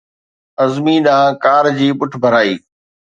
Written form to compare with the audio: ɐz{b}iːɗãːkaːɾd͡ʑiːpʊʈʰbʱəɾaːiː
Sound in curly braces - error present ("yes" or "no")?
yes